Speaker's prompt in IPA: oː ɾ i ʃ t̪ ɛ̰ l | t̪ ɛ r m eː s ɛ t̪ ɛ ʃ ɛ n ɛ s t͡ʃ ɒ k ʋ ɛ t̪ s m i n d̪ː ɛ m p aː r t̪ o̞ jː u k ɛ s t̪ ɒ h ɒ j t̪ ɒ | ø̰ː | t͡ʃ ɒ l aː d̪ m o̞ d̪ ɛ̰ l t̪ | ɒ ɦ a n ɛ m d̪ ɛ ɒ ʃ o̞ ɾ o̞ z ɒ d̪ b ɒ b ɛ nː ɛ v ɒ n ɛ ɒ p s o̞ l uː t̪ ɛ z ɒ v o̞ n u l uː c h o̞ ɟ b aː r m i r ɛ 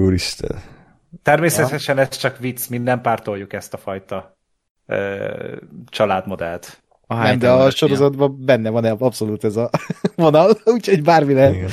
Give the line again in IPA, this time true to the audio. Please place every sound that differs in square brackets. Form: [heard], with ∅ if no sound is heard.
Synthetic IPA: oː ɾ i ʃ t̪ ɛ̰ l | t̪ ɛ r m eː s ɛ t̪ ɛ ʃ ɛ n ɛ s t͡ʃ ɒ k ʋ [i] t̪ s m i n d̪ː ɛ m p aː r t̪ o̞ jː u k ɛ s t̪ ɒ [f] ɒ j t̪ ɒ | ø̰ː | t͡ʃ ɒ l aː d̪ m o̞ d̪ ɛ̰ l t̪ | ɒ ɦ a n ɛ m d̪ ɛ ɒ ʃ o̞ ɾ o̞ z ɒ d̪ b ɒ b ɛ nː ɛ v ɒ n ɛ ɒ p s o̞ l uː t̪ ɛ z ɒ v o̞ n [ɒ] l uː c h o̞ ɟ b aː r m i [l] ɛ